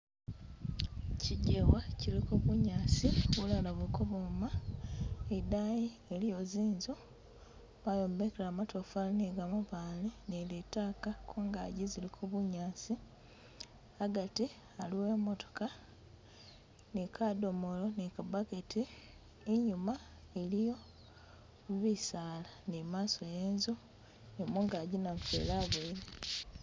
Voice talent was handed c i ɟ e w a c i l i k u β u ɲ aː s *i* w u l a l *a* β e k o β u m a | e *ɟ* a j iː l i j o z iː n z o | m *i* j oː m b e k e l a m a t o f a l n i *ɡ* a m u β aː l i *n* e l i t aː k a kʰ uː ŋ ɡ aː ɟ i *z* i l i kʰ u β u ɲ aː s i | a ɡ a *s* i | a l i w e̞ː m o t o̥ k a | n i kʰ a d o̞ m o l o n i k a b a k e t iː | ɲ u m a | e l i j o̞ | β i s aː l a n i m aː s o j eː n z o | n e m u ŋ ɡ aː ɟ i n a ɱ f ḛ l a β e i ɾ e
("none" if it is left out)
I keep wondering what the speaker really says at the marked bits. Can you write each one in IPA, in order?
i, a, d, a, ɡ, n, z, t

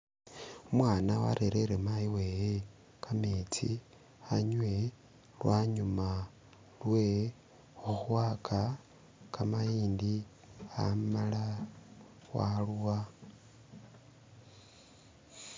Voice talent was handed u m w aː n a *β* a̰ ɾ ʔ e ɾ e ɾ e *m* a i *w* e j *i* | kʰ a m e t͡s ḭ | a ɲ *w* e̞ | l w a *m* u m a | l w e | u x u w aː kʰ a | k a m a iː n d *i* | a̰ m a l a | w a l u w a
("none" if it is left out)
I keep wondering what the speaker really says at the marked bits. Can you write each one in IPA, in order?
w, m, w, e, w, ɲ, i

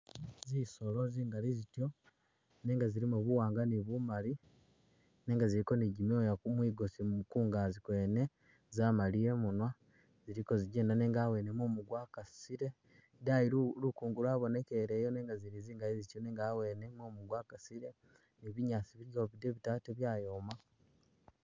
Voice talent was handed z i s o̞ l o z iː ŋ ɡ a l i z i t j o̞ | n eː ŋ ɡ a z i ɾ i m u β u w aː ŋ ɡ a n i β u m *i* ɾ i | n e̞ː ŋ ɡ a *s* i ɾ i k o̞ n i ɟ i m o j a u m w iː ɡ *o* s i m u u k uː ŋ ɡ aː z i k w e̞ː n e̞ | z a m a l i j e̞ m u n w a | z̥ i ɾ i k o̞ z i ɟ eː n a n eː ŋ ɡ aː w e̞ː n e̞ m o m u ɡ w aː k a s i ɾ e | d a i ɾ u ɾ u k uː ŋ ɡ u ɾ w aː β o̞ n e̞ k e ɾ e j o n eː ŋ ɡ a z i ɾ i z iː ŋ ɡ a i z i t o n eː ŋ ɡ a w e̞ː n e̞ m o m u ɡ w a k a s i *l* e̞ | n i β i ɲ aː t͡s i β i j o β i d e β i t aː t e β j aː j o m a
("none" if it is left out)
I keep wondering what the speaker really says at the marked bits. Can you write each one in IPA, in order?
a, z, o, ɾ

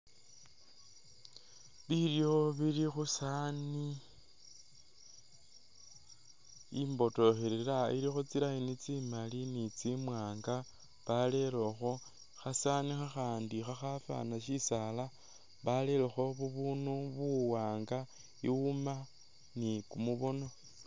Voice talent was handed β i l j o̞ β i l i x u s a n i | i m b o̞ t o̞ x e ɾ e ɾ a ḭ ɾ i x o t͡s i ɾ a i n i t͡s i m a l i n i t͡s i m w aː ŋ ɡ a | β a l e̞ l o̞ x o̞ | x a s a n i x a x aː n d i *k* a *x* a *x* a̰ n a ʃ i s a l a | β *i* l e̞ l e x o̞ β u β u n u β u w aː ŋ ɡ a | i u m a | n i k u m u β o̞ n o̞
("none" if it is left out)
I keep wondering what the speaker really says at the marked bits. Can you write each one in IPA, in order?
x, x, f, a

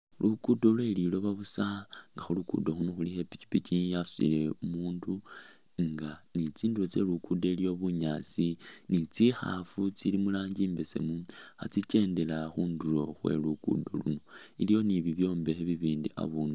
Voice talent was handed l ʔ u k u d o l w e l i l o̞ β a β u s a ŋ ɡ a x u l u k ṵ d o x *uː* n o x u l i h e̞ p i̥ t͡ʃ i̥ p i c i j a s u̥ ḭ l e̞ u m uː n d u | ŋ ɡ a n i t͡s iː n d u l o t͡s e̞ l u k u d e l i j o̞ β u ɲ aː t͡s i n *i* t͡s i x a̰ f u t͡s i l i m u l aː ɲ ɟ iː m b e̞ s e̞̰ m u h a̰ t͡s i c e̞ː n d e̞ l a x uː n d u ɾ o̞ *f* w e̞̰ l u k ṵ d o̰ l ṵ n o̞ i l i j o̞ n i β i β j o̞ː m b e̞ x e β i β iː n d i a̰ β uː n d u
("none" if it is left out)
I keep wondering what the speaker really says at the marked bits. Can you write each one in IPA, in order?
u, i, x

